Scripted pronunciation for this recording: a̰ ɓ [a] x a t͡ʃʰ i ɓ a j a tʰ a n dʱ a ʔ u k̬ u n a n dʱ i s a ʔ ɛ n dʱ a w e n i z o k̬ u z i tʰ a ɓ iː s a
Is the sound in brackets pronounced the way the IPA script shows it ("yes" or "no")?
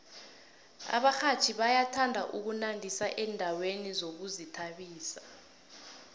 yes